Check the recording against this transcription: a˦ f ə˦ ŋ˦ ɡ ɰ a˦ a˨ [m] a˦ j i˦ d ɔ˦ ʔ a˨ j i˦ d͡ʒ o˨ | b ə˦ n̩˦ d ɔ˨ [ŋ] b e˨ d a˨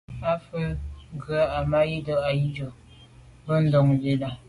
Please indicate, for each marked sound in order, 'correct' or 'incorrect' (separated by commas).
correct, correct